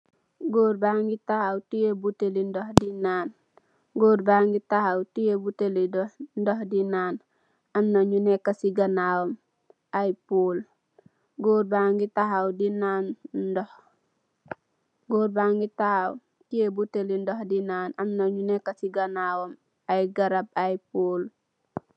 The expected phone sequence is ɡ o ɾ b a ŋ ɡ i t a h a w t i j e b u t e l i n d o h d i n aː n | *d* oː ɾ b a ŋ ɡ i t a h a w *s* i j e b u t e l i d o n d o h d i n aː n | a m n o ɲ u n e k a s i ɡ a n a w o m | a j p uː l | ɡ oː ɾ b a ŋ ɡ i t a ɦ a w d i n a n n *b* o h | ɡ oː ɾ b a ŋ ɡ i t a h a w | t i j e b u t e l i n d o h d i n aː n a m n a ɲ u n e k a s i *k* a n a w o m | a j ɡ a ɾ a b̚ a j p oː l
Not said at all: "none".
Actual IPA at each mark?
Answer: ɡ, t, d, ɡ

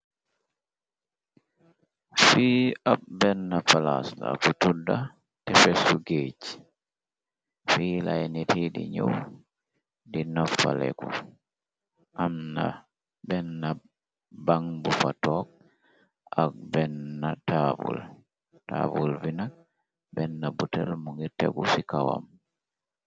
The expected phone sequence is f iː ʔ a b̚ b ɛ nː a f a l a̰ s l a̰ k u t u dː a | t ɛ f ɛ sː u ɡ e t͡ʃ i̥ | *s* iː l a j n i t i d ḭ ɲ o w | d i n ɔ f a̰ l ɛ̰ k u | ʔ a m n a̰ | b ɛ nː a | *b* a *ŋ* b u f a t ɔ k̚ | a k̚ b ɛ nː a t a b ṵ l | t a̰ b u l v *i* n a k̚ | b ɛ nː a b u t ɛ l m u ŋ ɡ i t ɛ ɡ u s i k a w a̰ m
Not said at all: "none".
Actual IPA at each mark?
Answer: f, b, ŋ, i

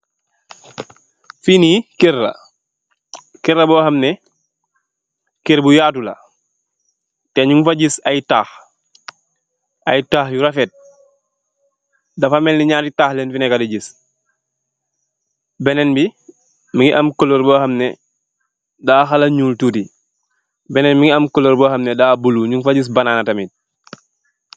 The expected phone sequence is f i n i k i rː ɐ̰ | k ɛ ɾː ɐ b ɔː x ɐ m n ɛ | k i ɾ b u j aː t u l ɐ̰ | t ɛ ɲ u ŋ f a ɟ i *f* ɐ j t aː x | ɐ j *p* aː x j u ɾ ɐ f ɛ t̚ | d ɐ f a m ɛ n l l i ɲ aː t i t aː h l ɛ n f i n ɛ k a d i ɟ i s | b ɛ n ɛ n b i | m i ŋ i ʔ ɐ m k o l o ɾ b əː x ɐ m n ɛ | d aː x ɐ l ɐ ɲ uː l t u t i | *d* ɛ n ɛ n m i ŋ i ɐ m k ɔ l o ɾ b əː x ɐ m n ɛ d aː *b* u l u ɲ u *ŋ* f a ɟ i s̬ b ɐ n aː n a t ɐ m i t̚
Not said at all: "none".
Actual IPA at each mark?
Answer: s, t, b, b, ŋ

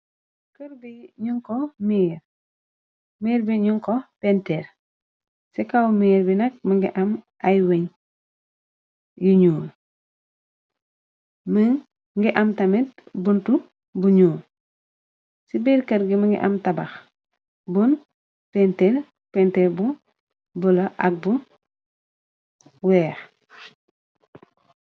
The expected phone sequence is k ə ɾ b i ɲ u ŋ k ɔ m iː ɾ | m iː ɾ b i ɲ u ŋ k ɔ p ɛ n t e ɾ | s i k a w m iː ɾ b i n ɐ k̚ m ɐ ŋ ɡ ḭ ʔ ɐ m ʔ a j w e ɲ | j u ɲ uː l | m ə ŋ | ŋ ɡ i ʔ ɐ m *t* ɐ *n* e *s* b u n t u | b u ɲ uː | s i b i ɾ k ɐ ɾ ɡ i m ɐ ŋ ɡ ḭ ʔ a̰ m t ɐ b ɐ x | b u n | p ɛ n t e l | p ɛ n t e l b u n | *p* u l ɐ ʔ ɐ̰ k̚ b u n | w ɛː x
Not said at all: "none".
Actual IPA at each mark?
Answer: t, m, t, b

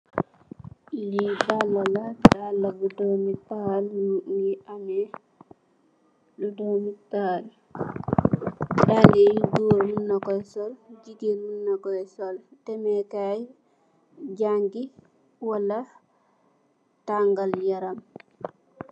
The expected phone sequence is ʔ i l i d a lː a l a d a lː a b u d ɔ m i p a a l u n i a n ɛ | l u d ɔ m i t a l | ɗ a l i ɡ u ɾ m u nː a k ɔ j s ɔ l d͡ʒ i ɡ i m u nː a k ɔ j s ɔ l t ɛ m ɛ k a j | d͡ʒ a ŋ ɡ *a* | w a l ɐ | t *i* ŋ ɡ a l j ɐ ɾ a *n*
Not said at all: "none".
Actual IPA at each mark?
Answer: i, a, m

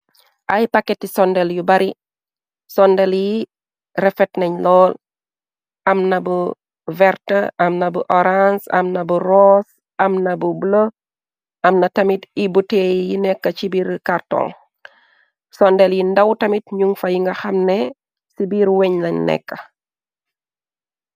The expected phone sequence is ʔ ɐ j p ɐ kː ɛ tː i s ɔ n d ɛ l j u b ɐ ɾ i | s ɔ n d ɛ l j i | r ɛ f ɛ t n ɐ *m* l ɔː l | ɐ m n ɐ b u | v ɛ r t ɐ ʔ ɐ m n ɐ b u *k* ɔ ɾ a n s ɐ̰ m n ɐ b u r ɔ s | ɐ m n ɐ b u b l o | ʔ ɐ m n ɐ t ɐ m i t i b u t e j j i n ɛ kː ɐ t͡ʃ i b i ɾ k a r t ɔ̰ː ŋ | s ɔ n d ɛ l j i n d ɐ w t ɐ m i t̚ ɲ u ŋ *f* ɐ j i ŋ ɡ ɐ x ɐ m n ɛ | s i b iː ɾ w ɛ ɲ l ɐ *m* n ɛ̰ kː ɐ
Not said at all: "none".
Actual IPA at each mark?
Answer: ɲ, ʔ, f, ɲ

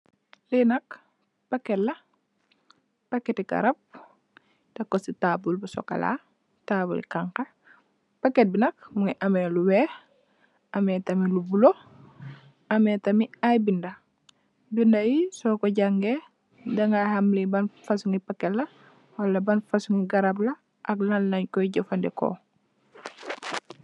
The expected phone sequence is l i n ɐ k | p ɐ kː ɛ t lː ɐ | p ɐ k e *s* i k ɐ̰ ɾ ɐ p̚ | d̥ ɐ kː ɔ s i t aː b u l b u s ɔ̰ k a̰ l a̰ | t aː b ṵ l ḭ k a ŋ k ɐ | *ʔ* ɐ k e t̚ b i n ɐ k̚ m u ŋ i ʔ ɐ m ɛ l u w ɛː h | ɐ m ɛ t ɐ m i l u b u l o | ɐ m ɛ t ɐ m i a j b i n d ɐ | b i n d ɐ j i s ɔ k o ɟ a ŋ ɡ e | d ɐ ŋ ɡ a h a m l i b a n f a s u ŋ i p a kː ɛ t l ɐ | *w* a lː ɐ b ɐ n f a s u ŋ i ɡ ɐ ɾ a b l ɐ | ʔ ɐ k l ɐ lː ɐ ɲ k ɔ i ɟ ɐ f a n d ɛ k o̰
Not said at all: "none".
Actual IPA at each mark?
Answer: t, p, w

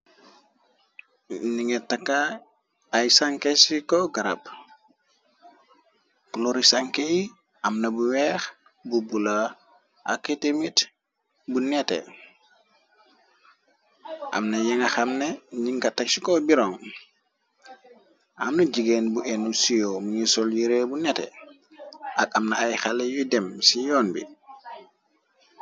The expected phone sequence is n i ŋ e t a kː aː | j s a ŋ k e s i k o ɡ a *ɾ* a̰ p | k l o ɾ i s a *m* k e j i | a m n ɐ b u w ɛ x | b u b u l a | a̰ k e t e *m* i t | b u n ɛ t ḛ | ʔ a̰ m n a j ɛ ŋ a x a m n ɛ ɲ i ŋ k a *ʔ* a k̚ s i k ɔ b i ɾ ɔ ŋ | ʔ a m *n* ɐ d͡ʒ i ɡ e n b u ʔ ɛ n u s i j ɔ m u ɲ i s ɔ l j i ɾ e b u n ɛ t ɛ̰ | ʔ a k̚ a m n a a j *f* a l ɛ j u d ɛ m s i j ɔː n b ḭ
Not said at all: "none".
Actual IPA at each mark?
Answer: ɾ, ŋ, m, t, n, x

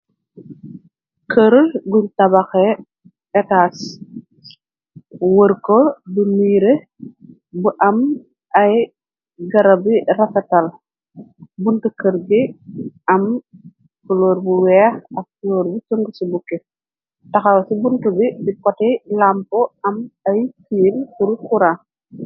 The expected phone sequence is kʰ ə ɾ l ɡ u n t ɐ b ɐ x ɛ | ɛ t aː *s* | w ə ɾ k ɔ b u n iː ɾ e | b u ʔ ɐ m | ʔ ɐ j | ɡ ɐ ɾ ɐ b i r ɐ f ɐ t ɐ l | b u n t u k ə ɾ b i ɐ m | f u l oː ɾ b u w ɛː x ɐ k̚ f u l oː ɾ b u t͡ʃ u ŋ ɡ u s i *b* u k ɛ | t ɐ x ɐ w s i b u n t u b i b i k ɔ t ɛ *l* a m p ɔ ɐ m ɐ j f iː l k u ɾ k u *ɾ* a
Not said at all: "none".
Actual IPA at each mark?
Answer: s, b, l, ɾ

